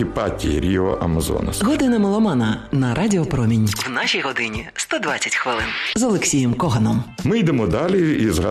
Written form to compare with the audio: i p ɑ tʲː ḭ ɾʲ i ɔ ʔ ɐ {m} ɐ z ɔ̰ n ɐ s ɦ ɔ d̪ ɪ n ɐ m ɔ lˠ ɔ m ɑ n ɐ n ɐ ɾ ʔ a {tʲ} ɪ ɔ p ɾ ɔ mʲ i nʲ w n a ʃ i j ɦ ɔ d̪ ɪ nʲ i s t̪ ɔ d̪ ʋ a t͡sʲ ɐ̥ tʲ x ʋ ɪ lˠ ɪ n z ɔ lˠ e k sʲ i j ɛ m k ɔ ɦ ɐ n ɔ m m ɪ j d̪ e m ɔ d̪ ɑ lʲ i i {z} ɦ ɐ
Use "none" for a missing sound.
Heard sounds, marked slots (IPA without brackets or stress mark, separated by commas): m, dʲ, z